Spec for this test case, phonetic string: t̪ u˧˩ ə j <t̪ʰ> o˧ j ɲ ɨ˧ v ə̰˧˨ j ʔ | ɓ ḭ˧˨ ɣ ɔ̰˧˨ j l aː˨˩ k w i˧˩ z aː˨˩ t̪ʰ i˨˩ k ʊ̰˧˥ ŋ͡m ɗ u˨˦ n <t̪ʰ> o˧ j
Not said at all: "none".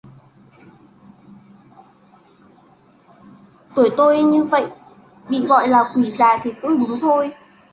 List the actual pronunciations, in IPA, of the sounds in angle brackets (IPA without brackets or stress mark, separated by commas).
t̪, t̪ʰ